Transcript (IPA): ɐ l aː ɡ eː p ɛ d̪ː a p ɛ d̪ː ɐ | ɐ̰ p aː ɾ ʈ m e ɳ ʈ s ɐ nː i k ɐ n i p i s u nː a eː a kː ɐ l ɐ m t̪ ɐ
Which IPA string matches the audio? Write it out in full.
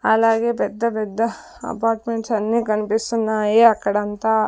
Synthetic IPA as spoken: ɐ l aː ɡ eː p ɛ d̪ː ɐ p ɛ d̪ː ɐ | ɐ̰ p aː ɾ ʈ m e ɳ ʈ s ɐ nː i k ɐ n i p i s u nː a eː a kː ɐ ɽ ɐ n t̪ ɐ